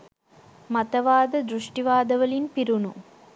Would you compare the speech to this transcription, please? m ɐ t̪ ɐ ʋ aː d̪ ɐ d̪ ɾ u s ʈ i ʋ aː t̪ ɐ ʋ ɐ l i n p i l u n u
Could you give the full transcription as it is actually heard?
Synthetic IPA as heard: m ɐ t̪ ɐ ʋ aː d̪ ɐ d̪ ɾ u ʂ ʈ i ʋ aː d̪ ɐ ʋ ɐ l i n p i ɾ u n u